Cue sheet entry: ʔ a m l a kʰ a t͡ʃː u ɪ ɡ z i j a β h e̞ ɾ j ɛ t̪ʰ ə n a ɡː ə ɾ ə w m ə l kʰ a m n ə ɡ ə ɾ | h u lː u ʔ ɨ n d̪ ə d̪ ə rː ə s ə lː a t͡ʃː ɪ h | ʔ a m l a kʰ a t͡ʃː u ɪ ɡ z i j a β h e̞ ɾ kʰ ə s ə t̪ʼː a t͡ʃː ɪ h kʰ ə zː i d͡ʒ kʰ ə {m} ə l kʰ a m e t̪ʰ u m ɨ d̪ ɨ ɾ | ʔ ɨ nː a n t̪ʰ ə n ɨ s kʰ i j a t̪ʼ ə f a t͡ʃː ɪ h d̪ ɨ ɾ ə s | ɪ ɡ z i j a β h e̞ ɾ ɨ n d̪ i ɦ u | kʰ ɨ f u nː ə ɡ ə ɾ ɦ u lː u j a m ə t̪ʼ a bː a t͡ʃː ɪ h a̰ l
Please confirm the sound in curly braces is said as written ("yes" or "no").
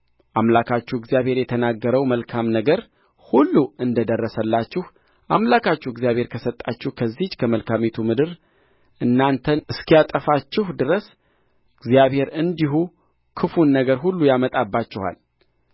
yes